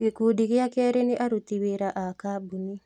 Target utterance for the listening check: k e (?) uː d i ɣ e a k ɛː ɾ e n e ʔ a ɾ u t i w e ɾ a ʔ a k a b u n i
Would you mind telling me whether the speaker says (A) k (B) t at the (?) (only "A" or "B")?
A